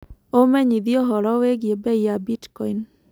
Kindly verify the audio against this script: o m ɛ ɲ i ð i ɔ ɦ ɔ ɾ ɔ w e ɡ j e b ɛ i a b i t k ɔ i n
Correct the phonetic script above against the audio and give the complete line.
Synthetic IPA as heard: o m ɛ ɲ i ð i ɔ ɦ ɔ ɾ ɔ w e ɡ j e b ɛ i a b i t k ɔ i n